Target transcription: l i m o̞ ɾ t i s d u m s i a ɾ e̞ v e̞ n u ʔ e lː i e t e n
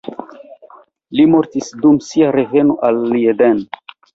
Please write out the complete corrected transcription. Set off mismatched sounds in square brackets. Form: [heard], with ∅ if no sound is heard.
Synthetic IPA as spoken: l i m o̞ ɾ t i s d u m s i a ɾ e̞ v e̞ n [o] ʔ [a] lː i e [d] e n